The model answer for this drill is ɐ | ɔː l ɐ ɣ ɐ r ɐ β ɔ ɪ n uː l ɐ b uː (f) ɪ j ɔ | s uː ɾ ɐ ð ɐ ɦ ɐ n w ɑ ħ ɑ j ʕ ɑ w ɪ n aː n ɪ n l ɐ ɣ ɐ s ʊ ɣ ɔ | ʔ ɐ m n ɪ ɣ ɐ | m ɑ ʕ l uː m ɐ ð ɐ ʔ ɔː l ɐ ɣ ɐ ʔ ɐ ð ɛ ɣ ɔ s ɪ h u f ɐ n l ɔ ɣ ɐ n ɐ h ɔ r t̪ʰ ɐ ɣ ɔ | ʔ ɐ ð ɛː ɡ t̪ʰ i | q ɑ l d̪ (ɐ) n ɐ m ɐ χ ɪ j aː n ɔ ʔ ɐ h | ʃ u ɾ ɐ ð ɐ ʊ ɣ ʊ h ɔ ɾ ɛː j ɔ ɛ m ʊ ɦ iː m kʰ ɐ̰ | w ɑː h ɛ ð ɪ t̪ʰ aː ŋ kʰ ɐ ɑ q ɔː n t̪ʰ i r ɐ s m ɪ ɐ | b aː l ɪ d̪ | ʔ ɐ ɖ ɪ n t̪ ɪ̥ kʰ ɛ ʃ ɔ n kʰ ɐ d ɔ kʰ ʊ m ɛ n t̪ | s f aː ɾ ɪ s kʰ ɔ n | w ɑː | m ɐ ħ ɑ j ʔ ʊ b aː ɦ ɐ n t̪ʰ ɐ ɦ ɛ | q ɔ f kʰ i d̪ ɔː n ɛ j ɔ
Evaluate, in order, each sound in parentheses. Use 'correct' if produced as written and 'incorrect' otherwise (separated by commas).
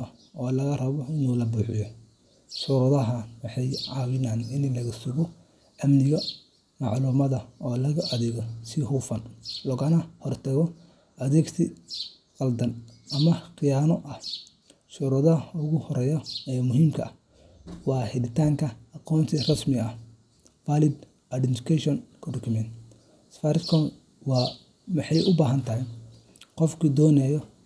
incorrect, correct